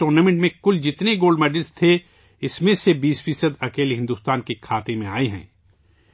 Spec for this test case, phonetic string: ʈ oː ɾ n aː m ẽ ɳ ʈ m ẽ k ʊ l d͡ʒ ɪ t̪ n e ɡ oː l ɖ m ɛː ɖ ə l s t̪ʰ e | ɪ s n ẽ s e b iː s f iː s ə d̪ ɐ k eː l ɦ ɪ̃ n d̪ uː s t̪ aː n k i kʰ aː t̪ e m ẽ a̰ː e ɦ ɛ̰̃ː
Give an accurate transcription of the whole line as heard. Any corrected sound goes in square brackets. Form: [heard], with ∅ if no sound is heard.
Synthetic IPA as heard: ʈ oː ɾ n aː m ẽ ɳ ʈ m ẽ k ʊ l d͡ʒ ɪ t̪ n e ɡ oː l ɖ m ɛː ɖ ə l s t̪ʰ e | ɪ s [m] ẽ s e b iː s f iː s ə d̪ ɐ k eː l ɦ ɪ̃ n d̪ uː s t̪ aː n k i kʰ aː t̪ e m ẽ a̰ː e ɦ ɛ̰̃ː

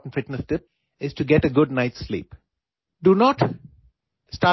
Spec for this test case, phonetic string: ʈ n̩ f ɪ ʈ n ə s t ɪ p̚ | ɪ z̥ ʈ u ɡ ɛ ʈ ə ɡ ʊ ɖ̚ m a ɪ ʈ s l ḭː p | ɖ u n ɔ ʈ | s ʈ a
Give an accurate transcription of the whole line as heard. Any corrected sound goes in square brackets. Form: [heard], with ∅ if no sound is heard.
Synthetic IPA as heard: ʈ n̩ f ɪ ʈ n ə s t ɪ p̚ | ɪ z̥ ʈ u ɡ ɛ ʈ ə ɡ ʊ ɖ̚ [n] a ɪ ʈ s l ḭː p | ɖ u n ɔ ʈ | s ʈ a

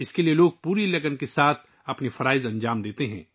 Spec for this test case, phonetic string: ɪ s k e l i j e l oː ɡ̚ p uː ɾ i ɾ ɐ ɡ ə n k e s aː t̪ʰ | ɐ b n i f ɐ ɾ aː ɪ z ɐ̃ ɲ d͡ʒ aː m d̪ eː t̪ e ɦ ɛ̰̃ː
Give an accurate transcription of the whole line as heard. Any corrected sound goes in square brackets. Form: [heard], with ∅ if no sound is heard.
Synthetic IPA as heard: ɪ s k e l i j e l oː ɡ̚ p uː ɾ i [l] ɐ ɡ ə n k e s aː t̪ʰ | ɐ [p] n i f ɐ ɾ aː ɪ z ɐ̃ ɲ d͡ʒ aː m d̪ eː t̪ e ɦ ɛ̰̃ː

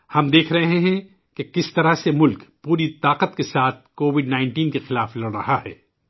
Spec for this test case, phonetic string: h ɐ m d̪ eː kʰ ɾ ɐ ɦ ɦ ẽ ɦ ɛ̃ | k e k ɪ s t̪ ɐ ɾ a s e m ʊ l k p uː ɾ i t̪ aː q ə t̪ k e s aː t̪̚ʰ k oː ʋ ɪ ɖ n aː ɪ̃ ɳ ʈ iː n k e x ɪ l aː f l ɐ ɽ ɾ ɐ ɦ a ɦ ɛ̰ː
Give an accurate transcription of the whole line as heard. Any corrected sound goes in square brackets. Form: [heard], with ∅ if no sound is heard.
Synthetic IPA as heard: h ɐ m d̪ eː kʰ ɾ ɐ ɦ ɦ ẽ ɦ ɛ̃ | k e k ɪ s t̪ ɐ ɾ a s e m ʊ l k p uː ɾ i t̪ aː q ə t̪ k e s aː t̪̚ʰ k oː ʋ ɪ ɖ n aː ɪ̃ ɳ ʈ iː n k e x ɪ l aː f l ɐ ɽ ɾ ɐ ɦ a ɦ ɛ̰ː

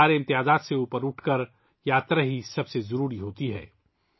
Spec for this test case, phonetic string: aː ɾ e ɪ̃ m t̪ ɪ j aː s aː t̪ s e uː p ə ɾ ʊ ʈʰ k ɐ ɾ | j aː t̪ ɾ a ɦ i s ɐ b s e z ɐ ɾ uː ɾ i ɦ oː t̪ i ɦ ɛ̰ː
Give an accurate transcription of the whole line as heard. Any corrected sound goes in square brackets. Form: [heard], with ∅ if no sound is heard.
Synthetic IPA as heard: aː ɾ e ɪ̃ m t̪ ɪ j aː [z] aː t̪ s e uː p ə ɾ ʊ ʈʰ k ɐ ɾ | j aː t̪ ɾ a ɦ i s ɐ b s e z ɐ ɾ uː ɾ i ɦ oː t̪ i ɦ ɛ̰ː

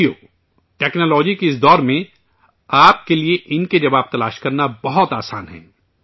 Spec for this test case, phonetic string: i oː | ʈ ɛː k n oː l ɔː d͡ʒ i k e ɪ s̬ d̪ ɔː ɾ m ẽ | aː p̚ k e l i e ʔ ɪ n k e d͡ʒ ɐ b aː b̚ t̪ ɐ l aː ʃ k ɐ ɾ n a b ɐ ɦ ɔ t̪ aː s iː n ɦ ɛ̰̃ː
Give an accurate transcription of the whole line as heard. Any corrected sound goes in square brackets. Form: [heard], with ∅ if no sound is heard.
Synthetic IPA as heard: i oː | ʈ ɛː k n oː l ɔː d͡ʒ i k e ɪ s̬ d̪ ɔː ɾ m ẽ | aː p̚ k e l i e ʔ ɪ n k e d͡ʒ ɐ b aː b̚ t̪ ɐ l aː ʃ k ɐ ɾ n a b ɐ ɦ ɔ t̪ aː s [aː] n ɦ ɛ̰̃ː

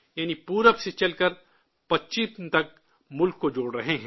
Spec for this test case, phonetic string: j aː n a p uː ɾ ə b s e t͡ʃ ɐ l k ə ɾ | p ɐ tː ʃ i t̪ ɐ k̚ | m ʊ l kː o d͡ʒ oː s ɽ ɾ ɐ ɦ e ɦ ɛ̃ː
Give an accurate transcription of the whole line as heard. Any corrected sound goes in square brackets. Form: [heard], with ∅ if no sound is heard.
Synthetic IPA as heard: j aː n [i] p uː ɾ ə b s e t͡ʃ ɐ l k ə ɾ | p ɐ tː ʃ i t̪ ɐ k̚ | m ʊ l kː o d͡ʒ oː [∅] ɽ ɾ ɐ ɦ e ɦ ɛ̃ː

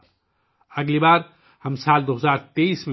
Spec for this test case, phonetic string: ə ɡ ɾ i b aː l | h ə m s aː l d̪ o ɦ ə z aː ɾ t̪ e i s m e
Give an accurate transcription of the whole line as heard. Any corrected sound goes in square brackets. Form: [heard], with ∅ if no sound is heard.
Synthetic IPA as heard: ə ɡ [l] i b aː [ɾ] | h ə m s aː l d̪ o ɦ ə z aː ɾ t̪ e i s m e

